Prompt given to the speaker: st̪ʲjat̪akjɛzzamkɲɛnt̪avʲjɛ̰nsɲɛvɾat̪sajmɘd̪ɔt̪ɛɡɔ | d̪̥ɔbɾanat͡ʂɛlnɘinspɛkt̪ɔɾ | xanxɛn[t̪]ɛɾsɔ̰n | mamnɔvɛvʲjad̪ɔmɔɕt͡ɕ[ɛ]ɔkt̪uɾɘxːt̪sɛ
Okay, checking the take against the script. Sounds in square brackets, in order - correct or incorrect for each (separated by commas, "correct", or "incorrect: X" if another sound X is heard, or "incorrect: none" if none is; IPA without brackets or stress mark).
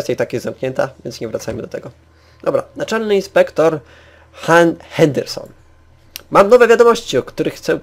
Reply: incorrect: d̪, incorrect: i